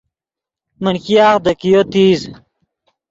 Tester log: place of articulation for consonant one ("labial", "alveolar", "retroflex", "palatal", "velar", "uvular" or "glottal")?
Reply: labial